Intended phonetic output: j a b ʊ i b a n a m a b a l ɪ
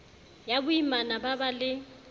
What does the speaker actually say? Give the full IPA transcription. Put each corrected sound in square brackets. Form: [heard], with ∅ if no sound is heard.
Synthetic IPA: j a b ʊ i [m] a n a [b] a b a l ɪ